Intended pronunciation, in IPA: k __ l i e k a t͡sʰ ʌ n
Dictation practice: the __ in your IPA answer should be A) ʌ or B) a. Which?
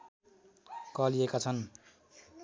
A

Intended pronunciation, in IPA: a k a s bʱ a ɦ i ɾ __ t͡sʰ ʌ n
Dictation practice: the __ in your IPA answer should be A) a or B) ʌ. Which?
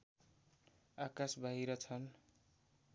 B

